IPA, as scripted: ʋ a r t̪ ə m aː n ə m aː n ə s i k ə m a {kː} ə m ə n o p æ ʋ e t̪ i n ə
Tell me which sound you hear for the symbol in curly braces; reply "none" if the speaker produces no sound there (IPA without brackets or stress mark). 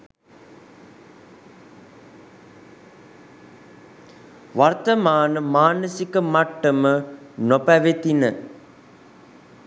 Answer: ʈː